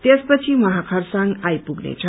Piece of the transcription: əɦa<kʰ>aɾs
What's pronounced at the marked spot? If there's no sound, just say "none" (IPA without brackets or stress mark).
kʰ